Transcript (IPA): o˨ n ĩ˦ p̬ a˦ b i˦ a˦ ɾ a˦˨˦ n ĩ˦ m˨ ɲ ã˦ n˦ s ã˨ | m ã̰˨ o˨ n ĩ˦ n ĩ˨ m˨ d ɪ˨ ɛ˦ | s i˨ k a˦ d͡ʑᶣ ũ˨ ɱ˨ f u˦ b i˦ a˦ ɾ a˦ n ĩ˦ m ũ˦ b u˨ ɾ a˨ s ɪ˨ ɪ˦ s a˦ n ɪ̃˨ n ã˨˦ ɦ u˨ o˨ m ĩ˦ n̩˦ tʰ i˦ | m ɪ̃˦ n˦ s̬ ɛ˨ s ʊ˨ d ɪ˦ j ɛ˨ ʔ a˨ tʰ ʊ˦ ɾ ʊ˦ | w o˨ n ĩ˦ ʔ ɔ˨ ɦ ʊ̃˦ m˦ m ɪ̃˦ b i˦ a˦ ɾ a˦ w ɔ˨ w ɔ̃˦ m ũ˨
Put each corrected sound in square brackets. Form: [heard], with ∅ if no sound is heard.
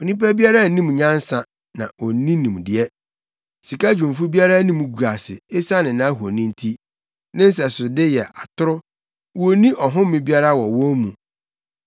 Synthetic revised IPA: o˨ n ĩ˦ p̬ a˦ b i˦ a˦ ɾ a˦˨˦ n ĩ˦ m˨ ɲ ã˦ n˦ s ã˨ | [n] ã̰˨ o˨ n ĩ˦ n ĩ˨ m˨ d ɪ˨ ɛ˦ | s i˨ k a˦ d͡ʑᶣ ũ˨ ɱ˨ f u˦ b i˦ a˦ ɾ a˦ n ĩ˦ m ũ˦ [ɡ] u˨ ɾ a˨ s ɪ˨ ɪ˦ s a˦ n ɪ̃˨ n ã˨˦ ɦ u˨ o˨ [n] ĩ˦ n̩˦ tʰ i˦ | [n] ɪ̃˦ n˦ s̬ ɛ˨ s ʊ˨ d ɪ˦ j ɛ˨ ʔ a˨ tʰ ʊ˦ ɾ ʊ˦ | w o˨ n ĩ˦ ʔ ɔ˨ ɦ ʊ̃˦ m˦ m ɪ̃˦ b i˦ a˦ ɾ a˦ w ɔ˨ w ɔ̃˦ m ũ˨